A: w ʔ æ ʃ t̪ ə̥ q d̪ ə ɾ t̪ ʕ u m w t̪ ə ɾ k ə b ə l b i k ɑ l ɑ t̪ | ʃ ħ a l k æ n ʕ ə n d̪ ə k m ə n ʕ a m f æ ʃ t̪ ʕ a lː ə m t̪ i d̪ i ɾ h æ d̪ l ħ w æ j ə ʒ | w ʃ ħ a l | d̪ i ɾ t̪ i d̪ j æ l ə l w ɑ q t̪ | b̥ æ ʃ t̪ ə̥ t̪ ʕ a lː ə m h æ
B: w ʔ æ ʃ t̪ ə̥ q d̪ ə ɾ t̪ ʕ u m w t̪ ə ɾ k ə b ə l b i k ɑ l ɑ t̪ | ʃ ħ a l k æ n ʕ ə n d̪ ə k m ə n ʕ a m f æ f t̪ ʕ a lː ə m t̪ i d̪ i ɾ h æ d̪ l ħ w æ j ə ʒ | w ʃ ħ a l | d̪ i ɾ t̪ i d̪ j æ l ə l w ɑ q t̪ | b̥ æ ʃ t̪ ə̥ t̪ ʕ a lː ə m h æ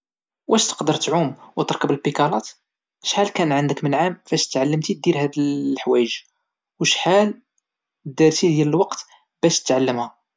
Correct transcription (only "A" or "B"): A